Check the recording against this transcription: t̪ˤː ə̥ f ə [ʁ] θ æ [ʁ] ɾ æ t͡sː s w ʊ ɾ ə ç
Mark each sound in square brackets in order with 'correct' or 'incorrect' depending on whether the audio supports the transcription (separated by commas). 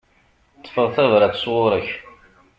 correct, incorrect